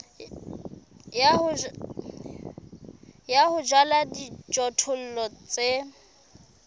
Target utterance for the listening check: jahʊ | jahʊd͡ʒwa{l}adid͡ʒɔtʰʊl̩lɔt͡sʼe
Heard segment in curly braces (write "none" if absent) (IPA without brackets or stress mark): l